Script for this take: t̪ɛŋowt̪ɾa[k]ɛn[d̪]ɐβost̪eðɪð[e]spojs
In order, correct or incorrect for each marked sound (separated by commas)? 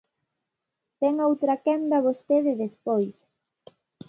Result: correct, correct, correct